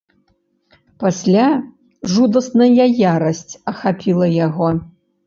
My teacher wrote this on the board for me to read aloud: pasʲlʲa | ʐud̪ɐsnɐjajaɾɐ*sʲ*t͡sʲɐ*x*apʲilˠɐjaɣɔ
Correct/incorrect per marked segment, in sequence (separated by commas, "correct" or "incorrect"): correct, correct